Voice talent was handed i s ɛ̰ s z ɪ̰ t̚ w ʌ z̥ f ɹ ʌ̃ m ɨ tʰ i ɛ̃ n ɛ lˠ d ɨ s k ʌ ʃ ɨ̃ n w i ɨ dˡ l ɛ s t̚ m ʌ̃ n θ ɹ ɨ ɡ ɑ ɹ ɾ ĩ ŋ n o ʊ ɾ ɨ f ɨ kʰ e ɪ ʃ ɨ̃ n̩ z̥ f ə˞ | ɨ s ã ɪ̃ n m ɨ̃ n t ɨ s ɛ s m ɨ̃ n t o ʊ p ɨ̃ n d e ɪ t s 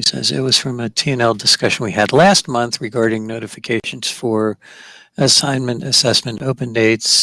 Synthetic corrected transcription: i s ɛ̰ z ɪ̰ t̚ w ʌ z̥ f ɹ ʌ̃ m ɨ tʰ i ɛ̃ n ɛ lˠ d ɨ s k ʌ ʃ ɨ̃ n w i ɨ dˡ l æ s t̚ m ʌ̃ n θ ɹ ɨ ɡ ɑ ɹ ɾ ɪ̃ ŋ n o ʊ ɾ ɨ f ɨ kʰ e ɪ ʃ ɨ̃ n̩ z̥ f ə˞ | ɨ s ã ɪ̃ n m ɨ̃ n t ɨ s ɛ s m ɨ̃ n t o ʊ p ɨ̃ n d e ɪ t s